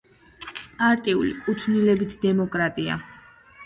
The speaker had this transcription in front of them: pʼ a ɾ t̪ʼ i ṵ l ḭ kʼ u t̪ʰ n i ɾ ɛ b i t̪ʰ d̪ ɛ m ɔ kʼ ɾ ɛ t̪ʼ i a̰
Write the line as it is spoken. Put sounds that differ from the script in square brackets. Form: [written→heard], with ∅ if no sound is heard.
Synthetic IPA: pʼ a ɾ t̪ʼ i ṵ l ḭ kʼ u t̪ʰ n i [ɾ→l] ɛ b i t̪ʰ d̪ ɛ m ɔ kʼ ɾ [ɛ→a] t̪ʼ i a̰

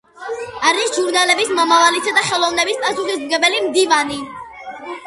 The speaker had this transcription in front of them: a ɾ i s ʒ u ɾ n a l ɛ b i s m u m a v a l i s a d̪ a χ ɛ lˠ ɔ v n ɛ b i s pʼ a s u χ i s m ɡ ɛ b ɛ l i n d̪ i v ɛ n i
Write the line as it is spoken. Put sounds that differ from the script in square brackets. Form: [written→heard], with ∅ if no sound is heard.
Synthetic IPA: a ɾ i s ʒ u ɾ n a l ɛ b i s m [u→ɔ] m a v a l i s a d̪ a χ ɛ lˠ ɔ v n ɛ b i s pʼ a s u χ i s m ɡ ɛ b ɛ l i [n→m] d̪ i v [ɛ→a] n i

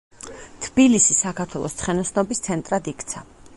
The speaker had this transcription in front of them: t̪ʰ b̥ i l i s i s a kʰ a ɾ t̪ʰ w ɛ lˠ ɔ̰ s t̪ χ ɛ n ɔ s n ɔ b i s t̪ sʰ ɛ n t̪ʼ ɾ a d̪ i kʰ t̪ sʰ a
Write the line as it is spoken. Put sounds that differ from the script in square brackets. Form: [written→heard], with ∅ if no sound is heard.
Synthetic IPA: t̪ʰ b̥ i l i s i s a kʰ a ɾ t̪ʰ w ɛ lˠ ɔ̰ s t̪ χ ɛ n ɔ s n ɔ b i s t̪ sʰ ɛ n t̪ʼ ɾ a d̪ i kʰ t̪ sʰ a

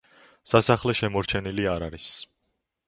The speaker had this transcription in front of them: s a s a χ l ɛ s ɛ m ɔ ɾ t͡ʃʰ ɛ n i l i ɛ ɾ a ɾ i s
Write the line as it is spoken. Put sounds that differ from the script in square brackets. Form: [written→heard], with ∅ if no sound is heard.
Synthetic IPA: s a s a χ l ɛ [s→ʃ] ɛ m ɔ ɾ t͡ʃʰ ɛ n i l i [ɛ→a] ɾ a ɾ i s

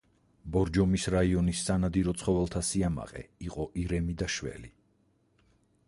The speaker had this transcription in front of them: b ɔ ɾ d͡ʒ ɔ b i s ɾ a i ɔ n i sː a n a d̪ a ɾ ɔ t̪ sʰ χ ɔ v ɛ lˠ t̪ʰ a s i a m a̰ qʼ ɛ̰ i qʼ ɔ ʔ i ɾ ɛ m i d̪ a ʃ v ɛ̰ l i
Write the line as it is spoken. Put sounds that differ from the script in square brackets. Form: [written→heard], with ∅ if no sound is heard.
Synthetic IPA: b ɔ ɾ d͡ʒ ɔ [b→m] i s ɾ a i ɔ n i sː a n a d̪ [a→i] ɾ ɔ t̪ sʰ χ ɔ v ɛ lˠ t̪ʰ a s i a m a̰ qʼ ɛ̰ i qʼ ɔ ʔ i ɾ ɛ m i d̪ a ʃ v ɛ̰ l i

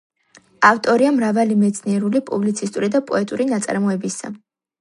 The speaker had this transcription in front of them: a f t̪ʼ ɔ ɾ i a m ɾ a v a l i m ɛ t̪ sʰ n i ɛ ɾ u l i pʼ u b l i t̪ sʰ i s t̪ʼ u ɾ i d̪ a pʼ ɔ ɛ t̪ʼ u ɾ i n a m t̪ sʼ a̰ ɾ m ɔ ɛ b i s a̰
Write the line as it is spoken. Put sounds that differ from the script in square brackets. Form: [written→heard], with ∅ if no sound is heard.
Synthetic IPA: a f t̪ʼ ɔ ɾ i a m ɾ a v a l i m ɛ t̪ sʰ n i ɛ ɾ u l i pʼ u b l i t̪ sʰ i s t̪ʼ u ɾ i d̪ a pʼ ɔ ɛ t̪ʼ u ɾ i n a [m→∅] t̪ sʼ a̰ ɾ m ɔ ɛ b i s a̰

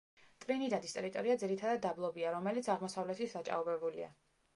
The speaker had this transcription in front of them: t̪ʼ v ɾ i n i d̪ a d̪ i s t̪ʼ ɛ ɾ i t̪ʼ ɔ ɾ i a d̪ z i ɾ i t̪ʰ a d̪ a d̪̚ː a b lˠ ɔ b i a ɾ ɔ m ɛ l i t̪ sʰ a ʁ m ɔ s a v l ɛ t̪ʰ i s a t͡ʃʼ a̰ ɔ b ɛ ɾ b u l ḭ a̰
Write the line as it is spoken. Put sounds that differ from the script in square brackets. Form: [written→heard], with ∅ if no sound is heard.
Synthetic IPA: t̪ʼ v ɾ i n i d̪ a d̪ i s t̪ʼ ɛ ɾ i t̪ʼ ɔ ɾ i a d̪ z i ɾ i t̪ʰ a d̪ a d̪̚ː a b lˠ ɔ b i a ɾ ɔ m ɛ l i t̪ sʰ a ʁ m ɔ s a v l ɛ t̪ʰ i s a t͡ʃʼ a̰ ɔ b ɛ [ɾ→∅] b u l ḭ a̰

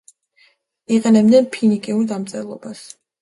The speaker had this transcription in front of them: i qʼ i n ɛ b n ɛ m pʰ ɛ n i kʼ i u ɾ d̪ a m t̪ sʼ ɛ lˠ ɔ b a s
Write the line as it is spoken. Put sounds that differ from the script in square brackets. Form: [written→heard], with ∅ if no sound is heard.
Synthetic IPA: i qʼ [i→ɛ] n ɛ b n ɛ [m→n] pʰ [ɛ→i] n i kʼ i u ɾ d̪ a m t̪ sʼ ɛ lˠ ɔ b a s

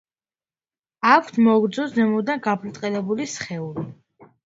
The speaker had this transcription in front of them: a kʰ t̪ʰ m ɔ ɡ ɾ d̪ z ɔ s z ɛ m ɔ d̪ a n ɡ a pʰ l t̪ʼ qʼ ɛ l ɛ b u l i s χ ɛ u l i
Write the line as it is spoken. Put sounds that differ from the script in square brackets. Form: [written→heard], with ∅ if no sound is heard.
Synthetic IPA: a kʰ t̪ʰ m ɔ ɡ ɾ d̪ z ɔ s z ɛ m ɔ d̪ a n ɡ a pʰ l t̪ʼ qʼ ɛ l ɛ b u l i s χ ɛ u l i

